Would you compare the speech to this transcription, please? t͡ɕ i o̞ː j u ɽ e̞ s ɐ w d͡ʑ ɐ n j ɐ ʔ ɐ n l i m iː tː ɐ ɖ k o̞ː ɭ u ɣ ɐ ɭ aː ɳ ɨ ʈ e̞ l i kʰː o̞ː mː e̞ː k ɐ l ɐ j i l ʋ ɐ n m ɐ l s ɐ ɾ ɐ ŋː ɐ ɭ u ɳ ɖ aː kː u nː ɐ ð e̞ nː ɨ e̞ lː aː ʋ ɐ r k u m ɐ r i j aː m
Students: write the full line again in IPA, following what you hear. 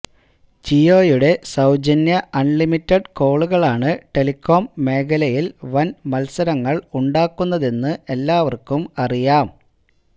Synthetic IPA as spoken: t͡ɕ i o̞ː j u ɽ e̞ s ɐ w d͡ʑ ɐ n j ɐ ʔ ɐ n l i m i tː ɐ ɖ k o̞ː ɭ u ɣ ɐ ɭ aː ɳ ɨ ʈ e̞ l i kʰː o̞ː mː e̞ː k ɐ l ɐ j i l ʋ ɐ n m ɐ l s ɐ ɾ ɐ ŋː ɐ ɭ u ɳ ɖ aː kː u nː ɐ ð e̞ nː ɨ e̞ lː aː ʋ ɐ r k u m ɐ r i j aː m